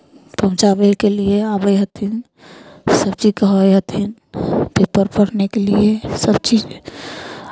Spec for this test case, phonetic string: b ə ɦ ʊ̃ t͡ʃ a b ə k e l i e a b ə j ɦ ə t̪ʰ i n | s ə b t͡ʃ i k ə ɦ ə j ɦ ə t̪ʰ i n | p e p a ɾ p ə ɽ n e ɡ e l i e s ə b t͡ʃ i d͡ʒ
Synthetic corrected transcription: p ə ɦ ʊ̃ t͡ʃ a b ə k e l i e a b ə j ɦ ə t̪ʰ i n | s ə b t͡ʃ i k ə ɦ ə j ɦ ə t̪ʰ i n | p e p ə ɾ p ə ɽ n e k e l i e s ə b t͡ʃ i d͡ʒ